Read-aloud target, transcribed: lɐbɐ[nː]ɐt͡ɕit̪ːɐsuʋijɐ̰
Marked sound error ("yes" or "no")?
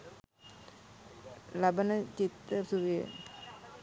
yes